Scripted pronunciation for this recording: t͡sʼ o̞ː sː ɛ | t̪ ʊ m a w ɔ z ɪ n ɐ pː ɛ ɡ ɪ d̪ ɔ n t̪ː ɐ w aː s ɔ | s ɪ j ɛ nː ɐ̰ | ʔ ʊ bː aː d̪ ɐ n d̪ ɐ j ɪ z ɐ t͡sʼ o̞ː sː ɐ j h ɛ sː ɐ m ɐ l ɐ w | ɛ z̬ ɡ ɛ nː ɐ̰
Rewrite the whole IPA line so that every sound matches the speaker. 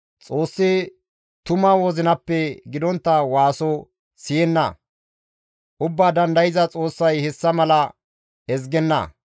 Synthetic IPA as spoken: t͡sʼ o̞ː sː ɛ | t̪ ʊ m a w ɔ z ɪ n ɐ pː ɛ ɡ ɪ d̪ ɔ n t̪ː ɐ w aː s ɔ | s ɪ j ɛ nː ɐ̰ | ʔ ʊ bː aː d̪ ɐ n d̪ ɐ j ɪ z ɐ t͡sʼ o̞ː sː ɐ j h ɛ sː ɐ m ɐ l ɐ | ɛ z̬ ɡ ɛ nː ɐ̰